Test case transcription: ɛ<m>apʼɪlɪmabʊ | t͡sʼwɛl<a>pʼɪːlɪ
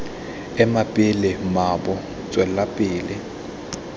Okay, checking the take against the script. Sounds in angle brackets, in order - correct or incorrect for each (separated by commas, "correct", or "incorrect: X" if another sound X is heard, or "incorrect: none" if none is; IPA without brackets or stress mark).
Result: correct, correct